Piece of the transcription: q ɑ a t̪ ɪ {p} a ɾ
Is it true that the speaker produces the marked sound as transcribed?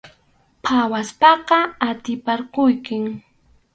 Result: yes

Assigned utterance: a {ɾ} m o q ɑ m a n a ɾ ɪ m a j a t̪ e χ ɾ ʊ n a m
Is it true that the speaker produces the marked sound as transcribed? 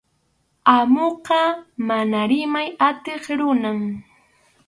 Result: no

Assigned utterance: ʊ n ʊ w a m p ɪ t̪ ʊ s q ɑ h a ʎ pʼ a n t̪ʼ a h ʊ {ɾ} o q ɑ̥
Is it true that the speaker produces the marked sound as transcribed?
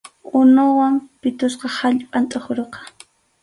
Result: yes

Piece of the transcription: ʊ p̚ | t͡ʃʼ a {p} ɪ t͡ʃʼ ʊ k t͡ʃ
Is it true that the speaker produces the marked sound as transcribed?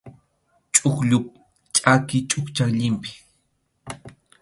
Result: no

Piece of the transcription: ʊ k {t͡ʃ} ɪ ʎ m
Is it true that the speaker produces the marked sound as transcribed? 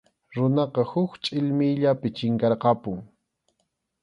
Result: no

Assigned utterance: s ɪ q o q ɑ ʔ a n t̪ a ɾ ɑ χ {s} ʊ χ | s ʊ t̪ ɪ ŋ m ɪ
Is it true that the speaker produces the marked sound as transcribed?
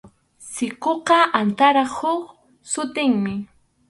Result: no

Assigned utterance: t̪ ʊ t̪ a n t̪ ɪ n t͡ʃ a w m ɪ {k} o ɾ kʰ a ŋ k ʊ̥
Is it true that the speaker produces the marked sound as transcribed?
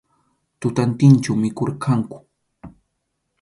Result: yes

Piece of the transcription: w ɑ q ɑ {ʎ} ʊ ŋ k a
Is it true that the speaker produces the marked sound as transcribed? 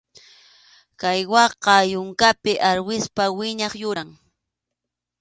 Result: no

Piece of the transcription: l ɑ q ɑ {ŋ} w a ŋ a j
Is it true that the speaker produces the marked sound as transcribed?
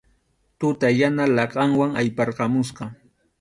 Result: yes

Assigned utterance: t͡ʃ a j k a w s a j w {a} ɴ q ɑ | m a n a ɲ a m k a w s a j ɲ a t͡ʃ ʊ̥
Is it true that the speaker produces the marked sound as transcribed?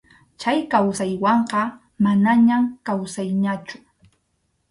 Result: no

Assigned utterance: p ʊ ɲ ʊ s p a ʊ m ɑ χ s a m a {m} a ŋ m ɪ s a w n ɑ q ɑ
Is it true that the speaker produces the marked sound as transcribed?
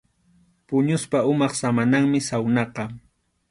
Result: no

